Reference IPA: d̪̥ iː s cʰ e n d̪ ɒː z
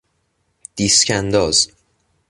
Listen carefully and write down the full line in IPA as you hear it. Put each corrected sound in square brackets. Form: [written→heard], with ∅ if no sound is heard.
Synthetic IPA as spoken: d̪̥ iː s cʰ [e→æ] n d̪ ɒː z